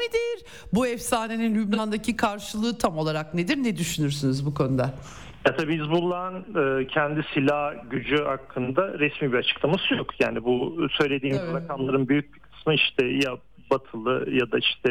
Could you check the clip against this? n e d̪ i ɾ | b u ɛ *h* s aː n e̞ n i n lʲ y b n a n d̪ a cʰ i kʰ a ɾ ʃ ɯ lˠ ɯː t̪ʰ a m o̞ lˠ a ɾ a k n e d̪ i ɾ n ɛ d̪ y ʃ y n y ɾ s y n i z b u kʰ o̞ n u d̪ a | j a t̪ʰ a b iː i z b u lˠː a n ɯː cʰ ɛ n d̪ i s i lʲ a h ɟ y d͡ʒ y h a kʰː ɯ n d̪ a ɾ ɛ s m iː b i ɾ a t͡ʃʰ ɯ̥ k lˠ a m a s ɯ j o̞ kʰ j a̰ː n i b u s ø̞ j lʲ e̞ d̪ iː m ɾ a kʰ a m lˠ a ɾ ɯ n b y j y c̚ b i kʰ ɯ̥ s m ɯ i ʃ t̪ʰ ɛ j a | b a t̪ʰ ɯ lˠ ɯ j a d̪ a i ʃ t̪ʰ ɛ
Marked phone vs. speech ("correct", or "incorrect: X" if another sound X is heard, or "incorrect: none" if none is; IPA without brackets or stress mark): incorrect: f